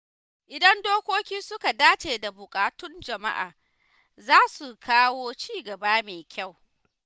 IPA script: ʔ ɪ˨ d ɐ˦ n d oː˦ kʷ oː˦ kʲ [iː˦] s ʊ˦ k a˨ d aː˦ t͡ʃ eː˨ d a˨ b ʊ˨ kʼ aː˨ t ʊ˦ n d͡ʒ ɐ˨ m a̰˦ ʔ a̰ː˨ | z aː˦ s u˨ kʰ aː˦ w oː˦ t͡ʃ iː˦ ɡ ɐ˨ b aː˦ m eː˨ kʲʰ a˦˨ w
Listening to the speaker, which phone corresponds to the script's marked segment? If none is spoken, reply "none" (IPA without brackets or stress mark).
iː˦